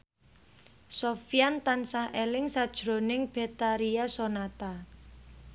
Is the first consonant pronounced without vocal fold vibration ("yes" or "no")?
yes